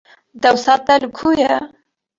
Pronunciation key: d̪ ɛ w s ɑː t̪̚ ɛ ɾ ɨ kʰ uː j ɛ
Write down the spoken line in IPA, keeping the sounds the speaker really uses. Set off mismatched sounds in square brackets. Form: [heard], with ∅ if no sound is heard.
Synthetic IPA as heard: d̪ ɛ w s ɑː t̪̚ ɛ [l] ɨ kʰ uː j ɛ